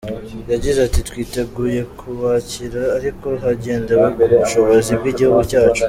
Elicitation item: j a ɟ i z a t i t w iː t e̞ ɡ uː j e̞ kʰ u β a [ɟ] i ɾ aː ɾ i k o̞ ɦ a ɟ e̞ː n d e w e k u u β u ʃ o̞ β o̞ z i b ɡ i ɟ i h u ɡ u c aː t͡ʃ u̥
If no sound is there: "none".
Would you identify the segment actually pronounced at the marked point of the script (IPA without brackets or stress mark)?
c